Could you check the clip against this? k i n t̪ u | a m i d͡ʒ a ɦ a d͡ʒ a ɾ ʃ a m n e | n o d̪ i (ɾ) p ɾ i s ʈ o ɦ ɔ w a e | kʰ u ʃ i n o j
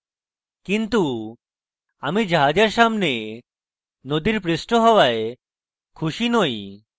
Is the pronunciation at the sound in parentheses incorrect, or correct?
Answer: correct